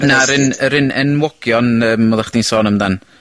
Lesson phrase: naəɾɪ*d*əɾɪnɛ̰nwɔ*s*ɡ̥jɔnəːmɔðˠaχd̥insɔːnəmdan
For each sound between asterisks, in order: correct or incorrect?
incorrect: n, incorrect: none

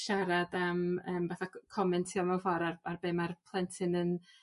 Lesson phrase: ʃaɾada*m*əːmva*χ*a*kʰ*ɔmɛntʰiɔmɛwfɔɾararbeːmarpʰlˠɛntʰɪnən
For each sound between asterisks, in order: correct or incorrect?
correct, incorrect: θ, correct

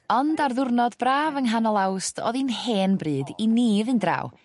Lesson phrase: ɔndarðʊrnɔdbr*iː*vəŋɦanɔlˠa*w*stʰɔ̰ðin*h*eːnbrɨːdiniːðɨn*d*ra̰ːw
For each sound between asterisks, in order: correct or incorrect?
incorrect: aː, correct, correct, correct

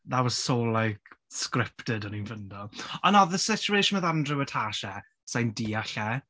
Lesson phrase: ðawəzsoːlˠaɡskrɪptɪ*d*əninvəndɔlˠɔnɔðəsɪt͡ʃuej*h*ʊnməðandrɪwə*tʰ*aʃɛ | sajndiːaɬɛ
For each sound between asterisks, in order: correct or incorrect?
correct, incorrect: ʃ, correct

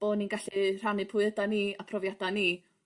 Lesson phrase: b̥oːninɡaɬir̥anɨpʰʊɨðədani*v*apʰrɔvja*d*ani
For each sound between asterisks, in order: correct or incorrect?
incorrect: none, correct

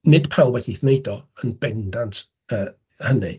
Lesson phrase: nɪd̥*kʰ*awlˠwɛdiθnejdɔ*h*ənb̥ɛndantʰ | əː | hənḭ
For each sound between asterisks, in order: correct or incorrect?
incorrect: pʰ, incorrect: none

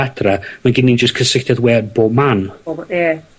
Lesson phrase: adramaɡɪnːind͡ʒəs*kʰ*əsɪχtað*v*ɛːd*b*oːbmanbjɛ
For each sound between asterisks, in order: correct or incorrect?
correct, incorrect: w, correct

